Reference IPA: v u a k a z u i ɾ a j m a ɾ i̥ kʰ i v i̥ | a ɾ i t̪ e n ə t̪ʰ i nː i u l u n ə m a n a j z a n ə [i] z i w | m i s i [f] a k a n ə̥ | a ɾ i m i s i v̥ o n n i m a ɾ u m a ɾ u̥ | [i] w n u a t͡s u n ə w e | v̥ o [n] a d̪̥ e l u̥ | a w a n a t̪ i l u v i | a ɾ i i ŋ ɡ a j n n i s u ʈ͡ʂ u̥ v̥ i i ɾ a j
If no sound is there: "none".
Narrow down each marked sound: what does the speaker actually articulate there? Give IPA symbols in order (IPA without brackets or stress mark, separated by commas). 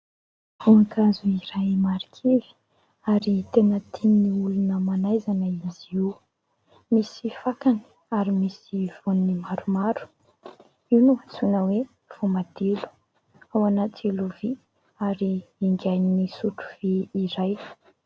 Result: i, f, i, m